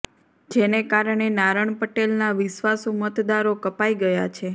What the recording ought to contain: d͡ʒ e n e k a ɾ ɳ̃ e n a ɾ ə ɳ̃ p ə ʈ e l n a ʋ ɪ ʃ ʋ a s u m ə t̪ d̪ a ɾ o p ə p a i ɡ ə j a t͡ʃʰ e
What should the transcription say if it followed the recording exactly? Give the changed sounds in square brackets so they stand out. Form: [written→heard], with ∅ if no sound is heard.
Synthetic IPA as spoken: d͡ʒ e n e k a ɾ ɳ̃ e n a ɾ ə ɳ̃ p ə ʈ e l n a ʋ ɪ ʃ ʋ a s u m ə t̪ d̪ a ɾ o [p→k] ə p a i ɡ ə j a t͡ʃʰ e